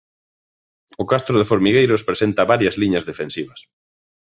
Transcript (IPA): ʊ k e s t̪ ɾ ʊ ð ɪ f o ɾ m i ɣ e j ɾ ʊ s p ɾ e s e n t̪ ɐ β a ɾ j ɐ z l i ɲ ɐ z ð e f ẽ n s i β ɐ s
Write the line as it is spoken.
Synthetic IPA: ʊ k a s t̪ ɾ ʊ ð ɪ f o ɾ m i ɣ e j ɾ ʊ s p ɾ e s e n t̪ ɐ β a ɾ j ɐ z l i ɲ ɐ z ð e f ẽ n s i β ɐ s